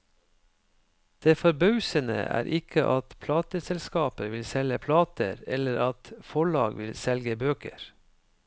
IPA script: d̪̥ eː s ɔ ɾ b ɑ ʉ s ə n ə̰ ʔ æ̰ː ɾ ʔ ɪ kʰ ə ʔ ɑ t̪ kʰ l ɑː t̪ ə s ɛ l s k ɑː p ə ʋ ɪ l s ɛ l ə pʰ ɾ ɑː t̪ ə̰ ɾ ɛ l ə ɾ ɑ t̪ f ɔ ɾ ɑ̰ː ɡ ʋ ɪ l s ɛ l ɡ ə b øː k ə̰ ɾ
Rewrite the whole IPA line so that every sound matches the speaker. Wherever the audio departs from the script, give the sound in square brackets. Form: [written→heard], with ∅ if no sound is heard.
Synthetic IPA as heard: d̪̥ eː [s→f] ɔ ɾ b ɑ ʉ s ə n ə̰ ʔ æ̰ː ɾ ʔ ɪ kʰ ə ʔ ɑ t̪ [kʰ→pʰ] l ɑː t̪ ə s ɛ l s k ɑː p ə ʋ ɪ l s ɛ l ə pʰ [ɾ→l] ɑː t̪ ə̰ ɾ ɛ l ə ɾ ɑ t̪ f ɔ [ɾ→ɭ] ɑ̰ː ɡ ʋ ɪ l s ɛ l ɡ ə b øː k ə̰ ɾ

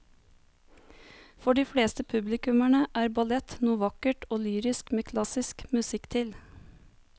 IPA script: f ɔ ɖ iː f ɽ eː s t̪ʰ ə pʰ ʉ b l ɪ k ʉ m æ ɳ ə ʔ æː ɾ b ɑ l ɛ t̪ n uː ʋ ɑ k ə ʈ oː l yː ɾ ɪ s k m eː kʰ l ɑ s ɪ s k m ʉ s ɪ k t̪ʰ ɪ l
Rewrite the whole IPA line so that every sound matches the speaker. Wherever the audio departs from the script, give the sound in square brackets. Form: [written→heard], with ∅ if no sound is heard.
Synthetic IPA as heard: f ɔ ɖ iː f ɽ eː s [t̪ʰ→t̪] ə pʰ ʉ b l ɪ k ʉ m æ ɳ ə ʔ æː ɾ b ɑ l ɛ t̪ n uː ʋ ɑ k ə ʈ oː l yː ɾ ɪ s k m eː kʰ l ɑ s ɪ s k m ʉ s ɪ k t̪ʰ ɪ l

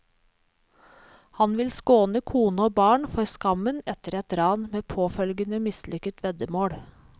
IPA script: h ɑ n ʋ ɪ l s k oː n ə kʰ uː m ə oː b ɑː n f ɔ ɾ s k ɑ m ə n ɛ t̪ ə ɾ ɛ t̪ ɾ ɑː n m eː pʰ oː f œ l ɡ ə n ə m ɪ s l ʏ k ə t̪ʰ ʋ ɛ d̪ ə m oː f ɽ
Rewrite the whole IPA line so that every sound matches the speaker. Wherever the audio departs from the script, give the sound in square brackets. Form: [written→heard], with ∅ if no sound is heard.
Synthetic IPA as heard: h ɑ n ʋ ɪ l s k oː n ə kʰ uː [m→n] ə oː b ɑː [n→ɳ] f ɔ ɾ s k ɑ m ə n ɛ t̪ ə ɾ ɛ t̪ ɾ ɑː n m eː pʰ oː f œ l ɡ ə n ə m ɪ s l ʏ k ə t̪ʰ ʋ ɛ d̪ ə m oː [f→∅] ɽ

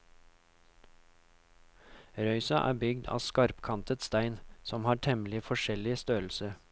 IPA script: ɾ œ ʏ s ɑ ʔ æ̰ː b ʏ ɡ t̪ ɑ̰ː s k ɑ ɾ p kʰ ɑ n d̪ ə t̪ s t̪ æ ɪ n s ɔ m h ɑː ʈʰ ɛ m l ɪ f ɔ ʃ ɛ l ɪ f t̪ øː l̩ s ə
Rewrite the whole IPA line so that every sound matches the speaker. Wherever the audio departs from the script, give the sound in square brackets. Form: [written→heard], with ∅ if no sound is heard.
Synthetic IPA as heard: ɾ œ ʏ s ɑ ʔ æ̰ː b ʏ ɡ [t̪→d̪] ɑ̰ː s k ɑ ɾ p kʰ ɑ n [d̪→t̪] ə t̪ s t̪ æ ɪ n s ɔ m h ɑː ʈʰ ɛ m l ɪ f ɔ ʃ ɛ l ɪ [f→s] t̪ øː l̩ s ə

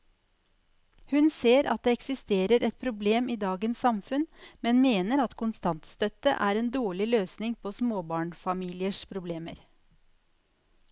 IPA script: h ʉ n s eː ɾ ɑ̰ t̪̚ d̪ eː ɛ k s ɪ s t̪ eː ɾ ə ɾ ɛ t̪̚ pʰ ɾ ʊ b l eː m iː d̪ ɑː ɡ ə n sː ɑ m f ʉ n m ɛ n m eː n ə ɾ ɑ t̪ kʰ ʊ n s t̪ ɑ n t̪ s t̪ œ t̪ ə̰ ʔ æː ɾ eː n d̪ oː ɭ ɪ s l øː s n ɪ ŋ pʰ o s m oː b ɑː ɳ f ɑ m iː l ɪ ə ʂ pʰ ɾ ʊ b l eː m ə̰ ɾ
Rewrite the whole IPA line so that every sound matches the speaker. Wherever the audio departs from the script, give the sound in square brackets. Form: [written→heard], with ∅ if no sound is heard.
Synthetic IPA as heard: h ʉ n s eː ɾ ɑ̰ t̪̚ d̪ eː ɛ k s ɪ s t̪ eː ɾ ə ɾ ɛ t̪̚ pʰ ɾ ʊ b l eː m iː d̪ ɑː ɡ ə n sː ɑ m f ʉ n m ɛ n m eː n ə ɾ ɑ t̪ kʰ ʊ n s t̪ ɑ n t̪ s t̪ œ t̪ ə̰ ʔ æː ɾ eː n d̪ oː ɭ ɪ [s→∅] l øː s n ɪ ŋ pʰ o s m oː b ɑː ɳ f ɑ m iː l ɪ ə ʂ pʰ ɾ ʊ b l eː m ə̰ ɾ

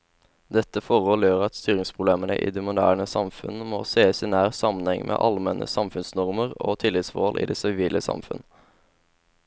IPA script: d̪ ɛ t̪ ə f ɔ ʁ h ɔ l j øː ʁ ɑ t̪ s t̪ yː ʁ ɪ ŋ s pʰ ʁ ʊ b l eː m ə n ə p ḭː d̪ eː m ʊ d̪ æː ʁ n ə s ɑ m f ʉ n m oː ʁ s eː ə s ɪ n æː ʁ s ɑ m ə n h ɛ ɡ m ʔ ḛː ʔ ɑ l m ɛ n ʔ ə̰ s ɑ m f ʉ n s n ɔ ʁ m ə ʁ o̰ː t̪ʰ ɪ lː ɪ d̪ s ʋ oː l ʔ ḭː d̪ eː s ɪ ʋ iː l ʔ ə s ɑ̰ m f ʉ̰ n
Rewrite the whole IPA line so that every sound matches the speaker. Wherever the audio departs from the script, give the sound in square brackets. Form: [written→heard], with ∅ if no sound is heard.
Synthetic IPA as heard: d̪ ɛ t̪ ə f ɔ ʁ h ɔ l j øː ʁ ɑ t̪ s t̪ yː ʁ ɪ ŋ s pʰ ʁ ʊ b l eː m ə n ə [p→ʔ] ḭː d̪ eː m ʊ d̪ æː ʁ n ə s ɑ m f ʉ n m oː [ʁ→∅] s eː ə s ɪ n æː ʁ s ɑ m ə n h ɛ [ɡ→ŋ] m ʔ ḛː ʔ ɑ l m ɛ n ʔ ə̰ s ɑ m f ʉ n s n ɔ ʁ m ə ʁ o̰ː t̪ʰ ɪ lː ɪ [d̪→t̪] s ʋ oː l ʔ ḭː d̪ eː s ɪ ʋ iː l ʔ ə s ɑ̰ m f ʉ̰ n

